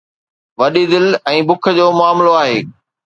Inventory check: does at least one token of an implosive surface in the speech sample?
yes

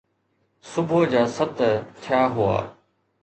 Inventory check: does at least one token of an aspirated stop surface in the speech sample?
yes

